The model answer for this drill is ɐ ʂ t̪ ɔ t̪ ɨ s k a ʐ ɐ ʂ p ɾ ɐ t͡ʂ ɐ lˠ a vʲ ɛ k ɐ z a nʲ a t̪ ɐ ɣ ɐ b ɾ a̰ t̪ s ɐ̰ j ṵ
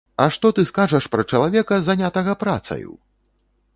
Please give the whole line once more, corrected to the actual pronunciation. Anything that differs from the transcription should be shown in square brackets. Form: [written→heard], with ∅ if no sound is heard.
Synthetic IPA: ɐ ʂ t̪ ɔ t̪ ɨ s k a ʐ ɐ ʂ p ɾ ɐ t͡ʂ ɐ lˠ a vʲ ɛ k ɐ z a nʲ a t̪ ɐ ɣ ɐ [b→p] ɾ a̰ t̪ s ɐ̰ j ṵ